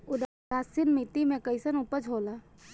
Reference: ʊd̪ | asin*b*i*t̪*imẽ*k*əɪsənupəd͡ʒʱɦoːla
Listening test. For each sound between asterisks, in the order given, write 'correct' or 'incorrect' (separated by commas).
incorrect, correct, correct